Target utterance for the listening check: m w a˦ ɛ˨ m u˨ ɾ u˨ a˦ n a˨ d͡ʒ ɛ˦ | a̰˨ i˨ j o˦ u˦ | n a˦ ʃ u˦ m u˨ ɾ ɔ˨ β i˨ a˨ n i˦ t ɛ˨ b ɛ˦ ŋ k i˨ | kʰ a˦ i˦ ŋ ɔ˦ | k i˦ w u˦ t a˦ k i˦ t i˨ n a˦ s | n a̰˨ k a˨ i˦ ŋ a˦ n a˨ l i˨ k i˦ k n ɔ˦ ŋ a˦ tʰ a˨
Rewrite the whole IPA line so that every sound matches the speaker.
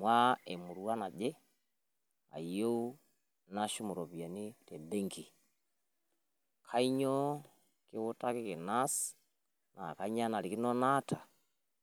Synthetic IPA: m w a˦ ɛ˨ m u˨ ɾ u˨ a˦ n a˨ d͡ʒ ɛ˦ | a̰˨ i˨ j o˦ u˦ | n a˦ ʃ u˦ m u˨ ɾ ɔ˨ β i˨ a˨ n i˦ t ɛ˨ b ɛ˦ ŋ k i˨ | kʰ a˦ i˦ ɲ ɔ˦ | k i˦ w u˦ t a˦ k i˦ k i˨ n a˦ s | n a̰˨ k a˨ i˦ ɲ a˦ n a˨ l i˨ k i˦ n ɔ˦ n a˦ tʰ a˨